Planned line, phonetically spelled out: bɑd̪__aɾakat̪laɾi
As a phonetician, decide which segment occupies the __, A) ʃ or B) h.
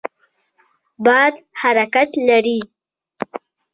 B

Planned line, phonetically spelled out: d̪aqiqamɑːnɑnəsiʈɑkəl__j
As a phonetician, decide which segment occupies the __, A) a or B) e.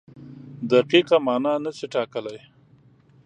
A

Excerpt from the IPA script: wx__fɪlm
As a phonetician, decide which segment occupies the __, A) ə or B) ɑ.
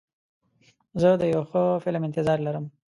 A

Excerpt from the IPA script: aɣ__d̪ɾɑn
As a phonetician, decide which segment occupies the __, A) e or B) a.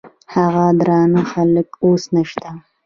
B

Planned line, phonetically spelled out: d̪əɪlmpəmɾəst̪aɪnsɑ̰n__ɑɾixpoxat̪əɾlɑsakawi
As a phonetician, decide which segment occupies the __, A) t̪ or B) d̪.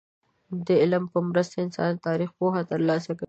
A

